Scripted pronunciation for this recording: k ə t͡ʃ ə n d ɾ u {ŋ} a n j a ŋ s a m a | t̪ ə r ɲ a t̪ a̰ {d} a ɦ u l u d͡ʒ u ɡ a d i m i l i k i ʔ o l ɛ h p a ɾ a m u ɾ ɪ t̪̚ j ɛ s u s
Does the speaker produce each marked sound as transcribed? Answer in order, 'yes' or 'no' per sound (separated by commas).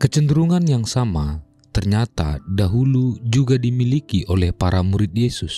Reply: yes, yes